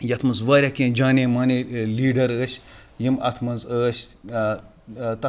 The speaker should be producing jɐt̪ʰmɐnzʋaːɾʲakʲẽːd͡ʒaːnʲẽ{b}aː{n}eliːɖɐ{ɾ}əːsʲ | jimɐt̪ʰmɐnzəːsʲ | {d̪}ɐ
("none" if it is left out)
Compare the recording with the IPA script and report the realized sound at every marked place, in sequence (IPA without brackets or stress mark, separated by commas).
m, n, ɾ, t̪